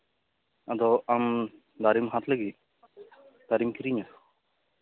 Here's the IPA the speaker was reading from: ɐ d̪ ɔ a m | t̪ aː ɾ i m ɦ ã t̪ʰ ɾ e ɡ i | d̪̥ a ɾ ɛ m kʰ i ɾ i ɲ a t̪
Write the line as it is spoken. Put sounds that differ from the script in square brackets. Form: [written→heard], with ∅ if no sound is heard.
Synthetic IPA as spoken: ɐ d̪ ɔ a m | [t̪→d̪] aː ɾ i m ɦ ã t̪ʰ [ɾ→l] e ɡ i | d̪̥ a ɾ [ɛ→i] m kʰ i ɾ i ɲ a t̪